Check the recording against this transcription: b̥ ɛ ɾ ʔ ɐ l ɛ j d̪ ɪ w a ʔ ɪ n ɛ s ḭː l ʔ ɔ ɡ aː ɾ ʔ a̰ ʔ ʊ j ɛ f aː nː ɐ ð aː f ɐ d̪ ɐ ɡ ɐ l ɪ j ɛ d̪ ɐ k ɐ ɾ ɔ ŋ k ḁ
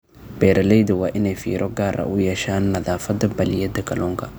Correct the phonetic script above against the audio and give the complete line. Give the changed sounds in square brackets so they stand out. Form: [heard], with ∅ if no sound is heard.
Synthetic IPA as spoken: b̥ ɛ ɾ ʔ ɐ l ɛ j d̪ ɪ w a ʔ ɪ n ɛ [f] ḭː [ɾ] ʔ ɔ ɡ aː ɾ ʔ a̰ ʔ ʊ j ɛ [ʃ] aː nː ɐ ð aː f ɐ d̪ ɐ [b] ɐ l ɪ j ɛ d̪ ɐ k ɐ [l] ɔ ŋ k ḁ